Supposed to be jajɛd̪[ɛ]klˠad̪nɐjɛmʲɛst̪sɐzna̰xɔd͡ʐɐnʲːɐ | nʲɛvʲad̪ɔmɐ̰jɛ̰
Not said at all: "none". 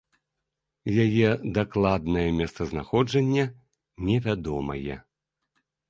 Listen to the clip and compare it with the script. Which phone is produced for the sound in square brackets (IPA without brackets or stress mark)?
a